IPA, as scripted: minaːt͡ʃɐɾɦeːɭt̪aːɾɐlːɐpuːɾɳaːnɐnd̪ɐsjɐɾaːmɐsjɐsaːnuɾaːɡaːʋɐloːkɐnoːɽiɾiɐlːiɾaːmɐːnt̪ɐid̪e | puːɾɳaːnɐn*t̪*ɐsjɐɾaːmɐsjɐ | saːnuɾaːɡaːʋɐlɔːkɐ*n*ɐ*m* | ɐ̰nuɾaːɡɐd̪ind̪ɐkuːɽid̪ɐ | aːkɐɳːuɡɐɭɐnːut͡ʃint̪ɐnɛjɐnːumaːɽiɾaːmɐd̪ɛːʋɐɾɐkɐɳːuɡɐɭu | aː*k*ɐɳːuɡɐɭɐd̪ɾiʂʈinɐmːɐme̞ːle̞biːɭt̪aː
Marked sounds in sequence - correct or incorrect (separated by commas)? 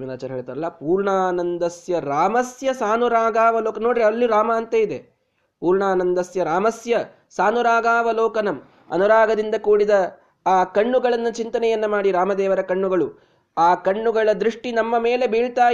incorrect, correct, correct, correct